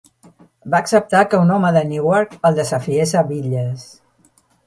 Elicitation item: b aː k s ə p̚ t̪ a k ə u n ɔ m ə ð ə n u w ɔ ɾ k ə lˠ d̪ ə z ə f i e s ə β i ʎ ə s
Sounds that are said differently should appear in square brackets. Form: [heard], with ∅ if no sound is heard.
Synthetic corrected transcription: b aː k s ə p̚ t̪ a k ə u n ɔ m ə ð ə n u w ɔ ɾ k ə lˠ d̪ ə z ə f i e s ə β i ʎ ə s